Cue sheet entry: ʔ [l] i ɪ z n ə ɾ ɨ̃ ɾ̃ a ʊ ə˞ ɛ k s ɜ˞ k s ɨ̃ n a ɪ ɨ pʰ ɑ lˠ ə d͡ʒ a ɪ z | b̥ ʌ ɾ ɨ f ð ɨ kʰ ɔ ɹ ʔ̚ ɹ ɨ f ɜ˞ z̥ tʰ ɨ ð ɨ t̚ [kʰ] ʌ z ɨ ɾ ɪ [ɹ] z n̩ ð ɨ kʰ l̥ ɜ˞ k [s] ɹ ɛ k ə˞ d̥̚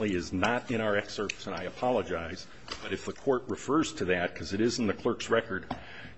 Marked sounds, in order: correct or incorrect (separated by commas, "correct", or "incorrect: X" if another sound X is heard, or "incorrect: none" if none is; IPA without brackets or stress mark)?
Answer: correct, correct, incorrect: none, correct